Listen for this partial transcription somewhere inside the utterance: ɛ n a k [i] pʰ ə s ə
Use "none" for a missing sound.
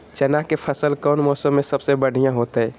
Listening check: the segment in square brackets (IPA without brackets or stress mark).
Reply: e